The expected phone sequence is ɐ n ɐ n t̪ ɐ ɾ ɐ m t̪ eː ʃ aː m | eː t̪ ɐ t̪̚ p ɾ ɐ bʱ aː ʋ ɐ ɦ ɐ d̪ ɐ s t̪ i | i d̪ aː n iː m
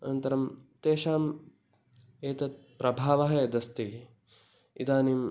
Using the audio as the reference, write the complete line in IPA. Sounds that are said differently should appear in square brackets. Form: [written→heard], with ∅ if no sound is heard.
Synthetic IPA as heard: ɐ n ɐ n t̪ ɐ ɾ ɐ m t̪ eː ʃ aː m | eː t̪ ɐ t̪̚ p ɾ ɐ bʱ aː ʋ ɐ ɦ ɐ d̪ ɐ s t̪ i | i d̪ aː n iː m